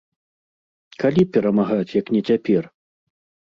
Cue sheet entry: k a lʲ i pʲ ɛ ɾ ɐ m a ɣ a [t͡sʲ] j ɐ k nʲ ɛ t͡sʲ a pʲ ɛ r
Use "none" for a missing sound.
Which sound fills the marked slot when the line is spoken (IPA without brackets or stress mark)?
t͡sʲ